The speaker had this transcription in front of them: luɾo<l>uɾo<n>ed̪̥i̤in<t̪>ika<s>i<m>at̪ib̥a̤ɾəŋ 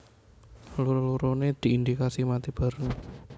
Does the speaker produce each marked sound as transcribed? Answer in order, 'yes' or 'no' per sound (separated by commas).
yes, yes, no, yes, yes